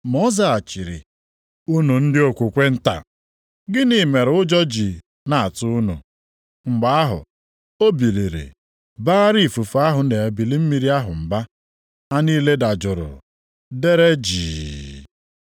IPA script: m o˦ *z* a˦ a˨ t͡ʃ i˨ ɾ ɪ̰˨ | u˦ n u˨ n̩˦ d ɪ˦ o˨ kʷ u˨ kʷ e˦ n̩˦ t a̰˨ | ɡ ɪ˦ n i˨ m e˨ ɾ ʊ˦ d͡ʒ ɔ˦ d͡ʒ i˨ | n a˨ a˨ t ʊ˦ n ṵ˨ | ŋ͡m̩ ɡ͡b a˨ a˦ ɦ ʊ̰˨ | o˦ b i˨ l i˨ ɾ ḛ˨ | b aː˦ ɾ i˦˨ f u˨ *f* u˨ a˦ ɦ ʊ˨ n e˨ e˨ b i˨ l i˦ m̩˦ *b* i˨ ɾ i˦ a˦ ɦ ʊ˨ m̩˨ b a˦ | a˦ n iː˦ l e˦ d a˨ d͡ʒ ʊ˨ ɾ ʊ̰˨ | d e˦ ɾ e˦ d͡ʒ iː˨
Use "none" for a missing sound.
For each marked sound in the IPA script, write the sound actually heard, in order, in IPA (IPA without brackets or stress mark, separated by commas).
z, f, m